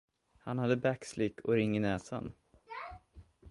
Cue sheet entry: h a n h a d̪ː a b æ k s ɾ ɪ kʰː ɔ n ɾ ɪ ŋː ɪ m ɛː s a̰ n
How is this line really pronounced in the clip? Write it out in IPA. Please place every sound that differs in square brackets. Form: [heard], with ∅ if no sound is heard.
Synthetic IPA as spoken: h a n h a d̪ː [ə] b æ k s [l] ɪ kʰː ɔ [∅] ɾ ɪ ŋː ɪ [n] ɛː s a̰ n